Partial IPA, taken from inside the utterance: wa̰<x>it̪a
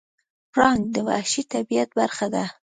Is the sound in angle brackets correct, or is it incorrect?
incorrect